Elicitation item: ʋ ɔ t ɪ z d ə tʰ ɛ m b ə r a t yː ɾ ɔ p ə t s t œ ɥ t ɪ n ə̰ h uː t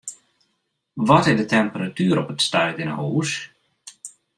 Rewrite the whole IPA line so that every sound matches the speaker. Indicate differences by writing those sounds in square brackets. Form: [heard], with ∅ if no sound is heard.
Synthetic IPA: ʋ ɔ t ɪ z d ə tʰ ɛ m [p] ə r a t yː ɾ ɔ p ə t s t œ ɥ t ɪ n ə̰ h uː [s]